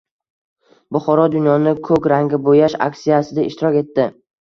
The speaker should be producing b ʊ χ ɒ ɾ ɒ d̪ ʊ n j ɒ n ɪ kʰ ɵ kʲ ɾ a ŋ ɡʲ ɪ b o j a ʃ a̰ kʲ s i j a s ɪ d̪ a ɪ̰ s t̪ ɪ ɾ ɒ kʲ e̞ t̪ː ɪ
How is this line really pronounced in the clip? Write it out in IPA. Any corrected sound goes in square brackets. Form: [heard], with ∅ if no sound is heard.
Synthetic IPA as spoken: b ʊ χ ɒ ɾ ɒ d̪ ʊ n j ɒ n ɪ kʰ ɵ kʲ ɾ a ŋ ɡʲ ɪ b o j a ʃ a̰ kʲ s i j a s ɪ d̪ a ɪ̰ [ʃ] t̪ ɪ ɾ ɒ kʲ e̞ t̪ː ɪ